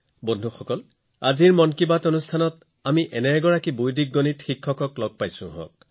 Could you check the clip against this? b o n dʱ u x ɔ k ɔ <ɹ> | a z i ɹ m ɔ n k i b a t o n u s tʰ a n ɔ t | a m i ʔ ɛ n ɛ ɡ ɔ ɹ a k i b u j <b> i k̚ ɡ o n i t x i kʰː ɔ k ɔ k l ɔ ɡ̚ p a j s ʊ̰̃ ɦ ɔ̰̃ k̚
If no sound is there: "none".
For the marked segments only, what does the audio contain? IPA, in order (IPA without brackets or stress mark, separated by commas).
l, d